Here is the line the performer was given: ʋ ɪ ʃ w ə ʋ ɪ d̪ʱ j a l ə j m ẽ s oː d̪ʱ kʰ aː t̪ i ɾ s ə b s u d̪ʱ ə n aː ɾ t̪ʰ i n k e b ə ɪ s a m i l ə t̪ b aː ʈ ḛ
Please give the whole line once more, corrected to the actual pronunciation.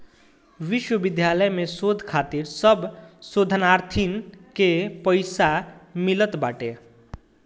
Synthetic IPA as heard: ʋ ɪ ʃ w ə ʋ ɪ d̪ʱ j a l ə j m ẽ s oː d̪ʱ kʰ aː t̪ i ɾ s ə b s o d̪ʱ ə n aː ɾ t̪ʰ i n k e p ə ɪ s a m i l ə t̪ b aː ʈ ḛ